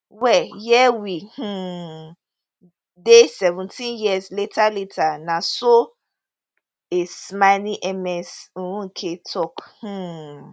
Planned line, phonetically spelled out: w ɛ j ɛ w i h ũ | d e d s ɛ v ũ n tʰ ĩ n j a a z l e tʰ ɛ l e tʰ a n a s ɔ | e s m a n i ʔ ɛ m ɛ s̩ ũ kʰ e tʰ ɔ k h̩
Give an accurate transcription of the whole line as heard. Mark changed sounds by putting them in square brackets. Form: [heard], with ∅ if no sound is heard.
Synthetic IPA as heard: w ɛ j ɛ w i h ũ | d e [∅] s ɛ v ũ n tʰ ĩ n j [i] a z l e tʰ [a] l e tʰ a n a s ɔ | e s m a n i ʔ ɛ m ɛ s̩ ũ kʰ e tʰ ɔ k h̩